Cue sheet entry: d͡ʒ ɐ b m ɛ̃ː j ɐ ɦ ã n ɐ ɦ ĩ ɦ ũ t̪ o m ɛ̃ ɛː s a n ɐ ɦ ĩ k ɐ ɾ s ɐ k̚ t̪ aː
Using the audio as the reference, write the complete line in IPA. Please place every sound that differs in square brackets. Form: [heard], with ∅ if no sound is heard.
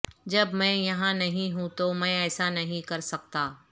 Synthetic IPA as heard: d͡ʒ ɐ b m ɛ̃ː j ɐ ɦ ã n ɐ ɦ ĩ ɦ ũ t̪ o m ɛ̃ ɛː s a n ɐ ɦ ĩ k ɐ ɾ s ɐ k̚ t̪ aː